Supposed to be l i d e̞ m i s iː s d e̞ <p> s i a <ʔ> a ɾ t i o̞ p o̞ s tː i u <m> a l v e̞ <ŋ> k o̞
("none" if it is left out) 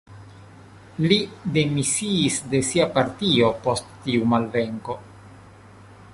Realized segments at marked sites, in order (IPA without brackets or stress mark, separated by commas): none, p, m, ŋ